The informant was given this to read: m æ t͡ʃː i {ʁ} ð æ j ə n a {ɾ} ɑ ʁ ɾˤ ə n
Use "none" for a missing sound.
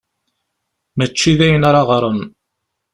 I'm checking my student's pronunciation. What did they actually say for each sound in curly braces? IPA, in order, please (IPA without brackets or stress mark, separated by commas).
none, ɾ